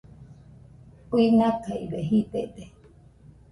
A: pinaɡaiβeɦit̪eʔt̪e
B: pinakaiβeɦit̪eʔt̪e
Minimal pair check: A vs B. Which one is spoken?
B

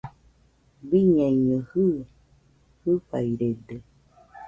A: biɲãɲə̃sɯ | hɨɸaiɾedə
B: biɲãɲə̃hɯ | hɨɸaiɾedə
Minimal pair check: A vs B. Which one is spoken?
B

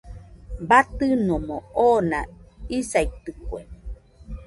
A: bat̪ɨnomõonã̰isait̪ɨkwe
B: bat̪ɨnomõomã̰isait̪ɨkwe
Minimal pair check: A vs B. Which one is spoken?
A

